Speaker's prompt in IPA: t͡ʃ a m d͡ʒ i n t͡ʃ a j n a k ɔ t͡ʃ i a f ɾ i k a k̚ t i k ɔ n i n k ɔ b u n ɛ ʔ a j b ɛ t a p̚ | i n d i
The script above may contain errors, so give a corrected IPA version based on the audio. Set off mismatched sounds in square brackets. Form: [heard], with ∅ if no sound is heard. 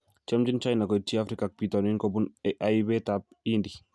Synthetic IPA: t͡ʃ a m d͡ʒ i n t͡ʃ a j n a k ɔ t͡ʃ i a f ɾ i k a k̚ [p] i [t] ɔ n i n k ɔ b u n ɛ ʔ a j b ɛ t a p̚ | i n d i